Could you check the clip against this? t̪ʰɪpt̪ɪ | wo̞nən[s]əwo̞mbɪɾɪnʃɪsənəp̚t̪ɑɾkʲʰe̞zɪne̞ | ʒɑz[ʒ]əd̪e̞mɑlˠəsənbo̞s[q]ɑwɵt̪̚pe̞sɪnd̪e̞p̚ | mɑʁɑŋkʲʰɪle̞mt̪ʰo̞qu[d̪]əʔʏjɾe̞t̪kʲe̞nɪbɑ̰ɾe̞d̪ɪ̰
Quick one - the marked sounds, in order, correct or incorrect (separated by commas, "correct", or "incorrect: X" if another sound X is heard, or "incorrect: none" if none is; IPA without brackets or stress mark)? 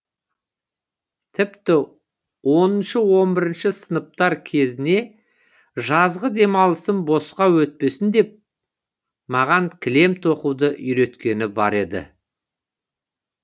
incorrect: ʃ, incorrect: ʁ, correct, correct